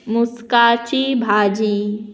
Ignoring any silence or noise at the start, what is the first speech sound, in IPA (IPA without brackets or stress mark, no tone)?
m